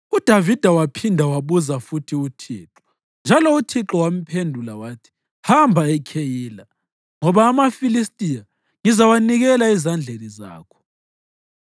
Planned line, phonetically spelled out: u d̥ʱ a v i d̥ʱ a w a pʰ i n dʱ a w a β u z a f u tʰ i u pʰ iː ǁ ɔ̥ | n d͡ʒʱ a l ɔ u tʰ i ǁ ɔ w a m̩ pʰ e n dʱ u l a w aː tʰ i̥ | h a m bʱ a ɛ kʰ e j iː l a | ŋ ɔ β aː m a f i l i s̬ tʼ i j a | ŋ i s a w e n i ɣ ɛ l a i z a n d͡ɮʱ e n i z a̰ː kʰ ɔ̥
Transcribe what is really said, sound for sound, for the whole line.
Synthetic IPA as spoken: u d̥ʱ a v i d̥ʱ a w a pʰ i n dʱ a w a β u z a f u tʰ i u tʰ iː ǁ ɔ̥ | n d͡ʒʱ a l ɔ u tʰ i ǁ ɔ w a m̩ pʰ e n dʱ u l a w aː tʰ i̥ | h a m bʱ a ɛ kʰ e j iː l a | ŋ ɔ β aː m a f i l i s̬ tʼ i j a | ŋ i z a w a n i ɣ ɛ l a i z a n d͡ɮʱ e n i z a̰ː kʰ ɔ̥

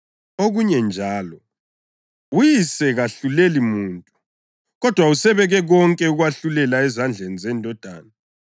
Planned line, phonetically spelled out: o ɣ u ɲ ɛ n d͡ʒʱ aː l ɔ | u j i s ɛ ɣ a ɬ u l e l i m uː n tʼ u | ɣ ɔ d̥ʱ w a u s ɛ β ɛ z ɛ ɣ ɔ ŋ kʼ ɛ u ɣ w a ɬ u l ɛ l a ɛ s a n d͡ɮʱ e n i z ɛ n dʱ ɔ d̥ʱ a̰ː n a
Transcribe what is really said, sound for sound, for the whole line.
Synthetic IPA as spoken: o ɣ u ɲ ɛ n d͡ʒʱ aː l ɔ | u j i s ɛ ɣ a ɬ u l e l i m uː n tʼ u | ɣ ɔ d̥ʱ w a u s ɛ β ɛ ɣ ɛ ɣ ɔ ŋ kʼ ɛ u ɣ w a ɬ u l ɛ l a ɛ z a n d͡ɮʱ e n i z ɛ n dʱ ɔ d̥ʱ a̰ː n a

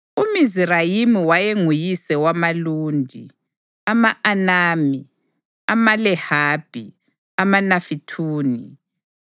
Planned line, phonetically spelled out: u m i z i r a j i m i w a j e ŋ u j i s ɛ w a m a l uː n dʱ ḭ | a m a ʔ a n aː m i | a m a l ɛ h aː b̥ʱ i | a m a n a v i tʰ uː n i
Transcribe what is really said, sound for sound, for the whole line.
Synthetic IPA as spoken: u m i z i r a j i m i w a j e ŋ u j i s ɛ w a m a l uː n dʱ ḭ | a m a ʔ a n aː m i | a m a l ɛ h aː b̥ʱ i | a m a n a f i tʰ uː n i

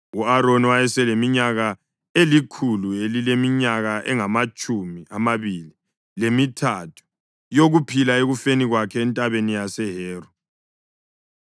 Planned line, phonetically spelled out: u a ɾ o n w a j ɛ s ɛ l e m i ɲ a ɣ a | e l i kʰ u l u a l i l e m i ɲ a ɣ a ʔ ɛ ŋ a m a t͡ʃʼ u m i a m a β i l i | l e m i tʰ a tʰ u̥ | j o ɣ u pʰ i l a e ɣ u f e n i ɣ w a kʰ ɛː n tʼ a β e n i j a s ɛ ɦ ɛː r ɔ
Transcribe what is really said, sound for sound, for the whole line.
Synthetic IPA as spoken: u a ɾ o n w a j ɛ s ɛ l e m i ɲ a ɣ a | e l i kʰ u l u e l i l e m i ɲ a ɣ a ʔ ɛ ŋ a m a t͡ʃʼ u m i a m a β i l i | l e m i tʰ a tʰ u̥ | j o ɣ u pʰ i l a e ɣ u f e n i ɣ w a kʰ ɛː n tʼ a β e n i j a s ɛ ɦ ɛː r ɔ

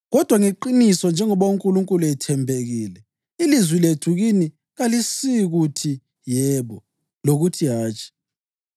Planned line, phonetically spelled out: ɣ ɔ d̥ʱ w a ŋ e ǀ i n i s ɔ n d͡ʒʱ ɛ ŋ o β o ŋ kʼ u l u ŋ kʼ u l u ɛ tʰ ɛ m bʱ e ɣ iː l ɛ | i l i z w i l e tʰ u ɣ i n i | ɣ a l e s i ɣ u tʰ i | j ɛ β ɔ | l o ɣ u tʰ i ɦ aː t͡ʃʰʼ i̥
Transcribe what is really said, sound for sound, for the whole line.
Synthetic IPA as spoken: ɣ ɔ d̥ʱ w a ŋ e ǃ i n i s ɔ n d͡ʒʱ ɛ ŋ ɔ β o ŋ kʼ u l u ŋ kʼ u l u ɛ tʰ ɛ m bʱ e ɣ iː l ɛ | i l i z w i l e tʰ u ɣ i n i | ɣ a l i s i ɣ u tʰ i | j ɛ β ɔ | l o ɣ u tʰ i ɦ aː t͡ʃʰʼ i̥

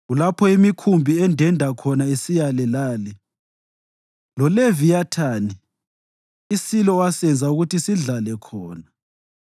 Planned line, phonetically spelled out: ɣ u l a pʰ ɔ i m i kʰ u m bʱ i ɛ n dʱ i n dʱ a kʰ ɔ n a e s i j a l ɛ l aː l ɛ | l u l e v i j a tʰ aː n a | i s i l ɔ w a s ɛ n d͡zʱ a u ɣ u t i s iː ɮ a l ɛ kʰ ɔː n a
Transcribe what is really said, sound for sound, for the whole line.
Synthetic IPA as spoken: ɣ u l a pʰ ɔ i m i kʰ u m bʱ i ɛ n dʱ ɛ n dʱ a kʰ ɔ n a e s i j a l ɛ l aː l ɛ | l ɔ l e v i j a tʰ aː n i | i s i l ɔ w a s ɛ n d͡zʱ a u ɣ u t i s i ɮ a l ɛ kʰ ɔː n a

